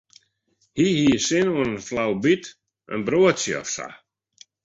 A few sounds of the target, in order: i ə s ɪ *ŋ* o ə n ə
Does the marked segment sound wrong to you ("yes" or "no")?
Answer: yes